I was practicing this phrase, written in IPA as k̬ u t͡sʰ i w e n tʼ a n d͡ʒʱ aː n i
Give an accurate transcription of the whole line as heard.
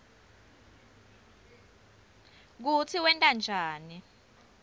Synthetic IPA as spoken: k̬ u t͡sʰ i w ɛ n tʼ a n d͡ʒʱ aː n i